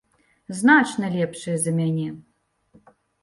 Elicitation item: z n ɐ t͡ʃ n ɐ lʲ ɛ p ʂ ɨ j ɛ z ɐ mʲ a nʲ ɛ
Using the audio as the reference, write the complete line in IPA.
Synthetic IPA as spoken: z n a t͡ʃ n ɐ lʲ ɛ p ʂ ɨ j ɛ z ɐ mʲ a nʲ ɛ